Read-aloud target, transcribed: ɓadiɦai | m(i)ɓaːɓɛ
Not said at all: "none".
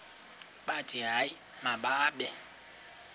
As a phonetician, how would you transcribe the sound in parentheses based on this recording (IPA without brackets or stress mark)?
a